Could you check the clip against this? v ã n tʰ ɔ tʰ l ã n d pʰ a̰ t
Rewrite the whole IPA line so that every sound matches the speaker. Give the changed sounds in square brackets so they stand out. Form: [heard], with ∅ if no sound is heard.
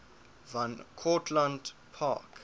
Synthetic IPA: v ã n [kʰ] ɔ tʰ l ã n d pʰ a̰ [k]